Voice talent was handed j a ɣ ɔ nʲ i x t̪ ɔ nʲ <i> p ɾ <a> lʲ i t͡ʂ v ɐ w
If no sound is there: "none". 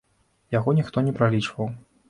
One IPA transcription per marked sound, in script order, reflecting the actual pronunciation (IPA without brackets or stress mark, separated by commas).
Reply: ɛ, a